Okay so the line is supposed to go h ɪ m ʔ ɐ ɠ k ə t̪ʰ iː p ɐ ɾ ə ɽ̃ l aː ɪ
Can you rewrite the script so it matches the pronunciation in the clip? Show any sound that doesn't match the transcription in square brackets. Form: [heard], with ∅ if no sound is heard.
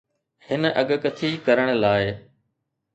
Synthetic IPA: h ɪ [n] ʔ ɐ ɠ k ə t̪ʰ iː [k] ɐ ɾ ə ɽ̃ l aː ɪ

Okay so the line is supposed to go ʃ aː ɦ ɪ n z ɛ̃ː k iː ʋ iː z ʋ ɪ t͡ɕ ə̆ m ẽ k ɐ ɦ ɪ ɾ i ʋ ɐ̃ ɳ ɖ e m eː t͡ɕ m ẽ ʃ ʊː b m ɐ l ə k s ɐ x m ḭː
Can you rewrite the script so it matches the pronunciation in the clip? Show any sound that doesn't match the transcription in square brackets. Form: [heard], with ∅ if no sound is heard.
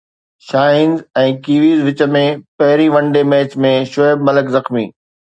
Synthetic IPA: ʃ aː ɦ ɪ n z ɛ̃ː k iː ʋ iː z ʋ ɪ t͡ɕ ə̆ m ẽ [p] ɐ ɦ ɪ ɾ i ʋ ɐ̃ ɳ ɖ e m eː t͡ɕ m ẽ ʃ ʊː b m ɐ l ə k [z] ɐ x m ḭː

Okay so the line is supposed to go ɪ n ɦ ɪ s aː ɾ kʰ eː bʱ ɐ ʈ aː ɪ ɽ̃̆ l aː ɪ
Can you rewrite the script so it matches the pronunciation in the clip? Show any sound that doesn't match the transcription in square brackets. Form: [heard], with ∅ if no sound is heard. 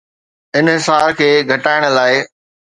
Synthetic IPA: ɪ n ɦ ɪ s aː ɾ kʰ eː [ɡʱ] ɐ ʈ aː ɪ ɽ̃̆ l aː ɪ

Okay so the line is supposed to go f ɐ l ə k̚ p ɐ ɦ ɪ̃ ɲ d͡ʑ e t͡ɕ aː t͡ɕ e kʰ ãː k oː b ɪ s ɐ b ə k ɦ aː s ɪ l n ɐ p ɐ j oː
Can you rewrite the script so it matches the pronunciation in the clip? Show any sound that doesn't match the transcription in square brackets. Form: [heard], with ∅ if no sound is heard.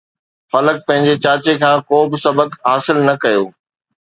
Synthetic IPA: f ɐ l ə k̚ p [ɐ̃] ɦ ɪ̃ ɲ d͡ʑ e t͡ɕ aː t͡ɕ e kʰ ãː k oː b ɪ s ɐ b ə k ɦ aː s ɪ l n ɐ [k] ɐ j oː

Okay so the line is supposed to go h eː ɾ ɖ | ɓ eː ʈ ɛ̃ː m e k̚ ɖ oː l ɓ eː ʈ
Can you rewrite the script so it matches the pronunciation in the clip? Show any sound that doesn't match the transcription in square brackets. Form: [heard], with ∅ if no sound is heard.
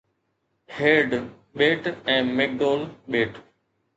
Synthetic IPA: h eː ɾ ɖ | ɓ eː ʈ ɛ̃ː m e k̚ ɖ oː l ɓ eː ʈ

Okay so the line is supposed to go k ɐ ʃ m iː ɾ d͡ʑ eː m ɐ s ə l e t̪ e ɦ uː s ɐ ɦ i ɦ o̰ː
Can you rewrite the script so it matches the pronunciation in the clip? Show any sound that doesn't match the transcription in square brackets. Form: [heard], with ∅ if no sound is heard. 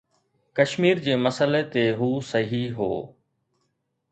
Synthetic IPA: k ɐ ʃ m iː ɾ d͡ʑ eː m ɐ s ə l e t̪ e ɦ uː s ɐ ɦ i ɦ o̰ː

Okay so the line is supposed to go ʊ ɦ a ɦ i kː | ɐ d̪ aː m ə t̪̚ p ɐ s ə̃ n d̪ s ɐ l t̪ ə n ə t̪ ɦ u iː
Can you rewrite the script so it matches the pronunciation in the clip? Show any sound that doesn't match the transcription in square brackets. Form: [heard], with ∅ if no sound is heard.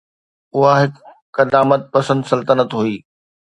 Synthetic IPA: ʊ ɦ a ɦ [ɪ] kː | ɐ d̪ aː m ə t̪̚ p ɐ s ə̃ n d̪ s ɐ l t̪ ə n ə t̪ ɦ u iː

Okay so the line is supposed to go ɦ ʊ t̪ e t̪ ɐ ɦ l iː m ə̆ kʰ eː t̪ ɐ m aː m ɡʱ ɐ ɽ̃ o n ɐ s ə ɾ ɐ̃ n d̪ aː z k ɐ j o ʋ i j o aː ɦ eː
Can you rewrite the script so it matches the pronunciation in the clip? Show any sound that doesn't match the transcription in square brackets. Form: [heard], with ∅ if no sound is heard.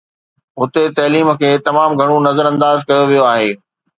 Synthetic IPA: ɦ ʊ t̪ e t̪ ɐ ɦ l iː m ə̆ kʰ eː t̪ ɐ m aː m ɡʱ ɐ ɽ̃ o n ɐ [z] ə ɾ ɐ̃ n d̪ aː z k ɐ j o ʋ i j o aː ɦ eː

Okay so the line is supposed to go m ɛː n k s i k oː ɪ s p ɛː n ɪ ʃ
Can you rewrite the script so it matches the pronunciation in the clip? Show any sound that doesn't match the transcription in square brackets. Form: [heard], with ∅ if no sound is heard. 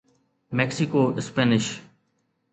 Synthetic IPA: m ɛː [∅] k s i k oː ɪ s p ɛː n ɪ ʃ

